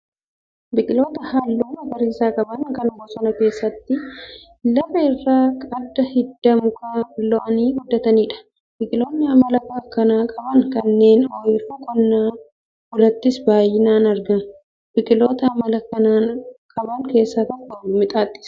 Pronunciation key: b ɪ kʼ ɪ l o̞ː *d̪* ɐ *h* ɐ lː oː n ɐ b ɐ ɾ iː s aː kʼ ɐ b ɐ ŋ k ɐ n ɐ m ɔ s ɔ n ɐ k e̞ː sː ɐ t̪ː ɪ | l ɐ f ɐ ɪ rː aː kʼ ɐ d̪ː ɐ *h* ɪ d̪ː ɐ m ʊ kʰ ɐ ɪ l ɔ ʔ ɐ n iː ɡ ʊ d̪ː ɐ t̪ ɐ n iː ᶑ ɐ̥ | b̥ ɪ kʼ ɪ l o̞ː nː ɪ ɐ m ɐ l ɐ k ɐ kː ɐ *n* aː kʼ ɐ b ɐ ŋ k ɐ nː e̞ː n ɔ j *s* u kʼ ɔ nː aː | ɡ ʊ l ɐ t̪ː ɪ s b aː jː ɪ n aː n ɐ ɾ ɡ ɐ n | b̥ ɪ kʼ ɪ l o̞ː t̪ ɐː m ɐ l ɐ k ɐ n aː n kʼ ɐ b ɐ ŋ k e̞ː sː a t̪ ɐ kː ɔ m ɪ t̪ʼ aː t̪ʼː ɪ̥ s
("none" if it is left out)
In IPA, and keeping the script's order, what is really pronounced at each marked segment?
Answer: t̪, h, h, n, f

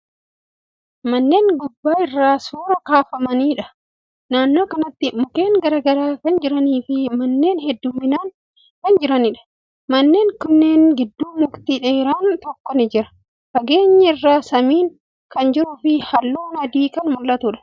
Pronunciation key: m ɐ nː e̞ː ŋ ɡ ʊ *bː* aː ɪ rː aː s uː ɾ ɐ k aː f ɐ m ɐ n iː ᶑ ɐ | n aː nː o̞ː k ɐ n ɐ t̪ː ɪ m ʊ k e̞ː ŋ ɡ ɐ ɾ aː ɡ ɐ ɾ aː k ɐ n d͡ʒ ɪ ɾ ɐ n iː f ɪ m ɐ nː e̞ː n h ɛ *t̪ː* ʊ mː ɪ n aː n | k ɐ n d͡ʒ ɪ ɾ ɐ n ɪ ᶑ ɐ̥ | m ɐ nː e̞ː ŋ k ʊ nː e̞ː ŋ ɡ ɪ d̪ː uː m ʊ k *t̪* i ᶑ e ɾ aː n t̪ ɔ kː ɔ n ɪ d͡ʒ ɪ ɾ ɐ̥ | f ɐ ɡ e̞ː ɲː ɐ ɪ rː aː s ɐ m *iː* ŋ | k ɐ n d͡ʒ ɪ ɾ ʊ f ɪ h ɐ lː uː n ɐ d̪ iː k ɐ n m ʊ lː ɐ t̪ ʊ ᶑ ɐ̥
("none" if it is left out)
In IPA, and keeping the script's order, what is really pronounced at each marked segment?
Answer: bː, d̪ː, t̪, iː

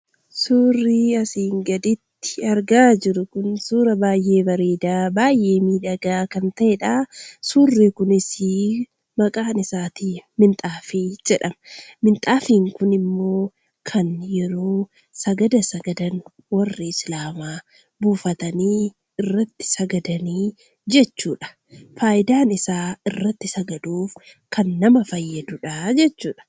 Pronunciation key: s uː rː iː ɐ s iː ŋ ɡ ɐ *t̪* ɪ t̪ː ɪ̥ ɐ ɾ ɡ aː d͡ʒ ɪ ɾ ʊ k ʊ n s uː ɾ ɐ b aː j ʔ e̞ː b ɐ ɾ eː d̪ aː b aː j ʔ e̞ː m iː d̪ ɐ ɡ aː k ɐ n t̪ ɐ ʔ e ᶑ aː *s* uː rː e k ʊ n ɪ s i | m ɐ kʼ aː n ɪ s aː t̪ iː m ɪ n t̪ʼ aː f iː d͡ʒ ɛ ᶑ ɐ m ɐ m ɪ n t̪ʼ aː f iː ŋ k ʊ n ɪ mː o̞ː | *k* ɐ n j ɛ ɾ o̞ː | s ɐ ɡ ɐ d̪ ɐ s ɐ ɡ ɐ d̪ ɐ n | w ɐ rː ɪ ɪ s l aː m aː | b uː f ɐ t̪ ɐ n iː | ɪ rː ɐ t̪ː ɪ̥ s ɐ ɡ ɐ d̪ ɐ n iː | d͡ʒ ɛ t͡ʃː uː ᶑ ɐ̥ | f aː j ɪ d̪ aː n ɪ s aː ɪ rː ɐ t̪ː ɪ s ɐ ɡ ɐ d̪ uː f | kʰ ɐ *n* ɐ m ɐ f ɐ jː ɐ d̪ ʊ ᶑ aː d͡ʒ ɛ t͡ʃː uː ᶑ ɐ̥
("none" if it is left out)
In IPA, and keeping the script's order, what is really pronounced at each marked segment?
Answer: d̪, s, kʰ, nː

